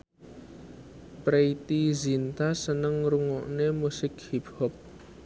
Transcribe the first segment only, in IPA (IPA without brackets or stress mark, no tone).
p